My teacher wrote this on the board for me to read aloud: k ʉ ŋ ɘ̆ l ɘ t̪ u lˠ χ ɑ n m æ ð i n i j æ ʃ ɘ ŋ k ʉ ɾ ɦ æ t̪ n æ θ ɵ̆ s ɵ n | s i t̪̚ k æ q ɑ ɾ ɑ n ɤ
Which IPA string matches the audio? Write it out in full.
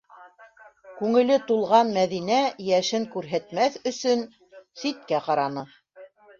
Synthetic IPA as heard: k ʉ ŋ ɘ̆ l ɘ t̪ u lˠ ʁ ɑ n m æ ð i n æ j æ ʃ ɘ ŋ k ʉ ɾ ɦ æ t̪ m æ θ ɵ̆ s ɵ n | s i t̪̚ k æ q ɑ ɾ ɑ n ɤ